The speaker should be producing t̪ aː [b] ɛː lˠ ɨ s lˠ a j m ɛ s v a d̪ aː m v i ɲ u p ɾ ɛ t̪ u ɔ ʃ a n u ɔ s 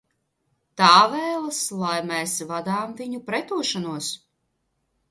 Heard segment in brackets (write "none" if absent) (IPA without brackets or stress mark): v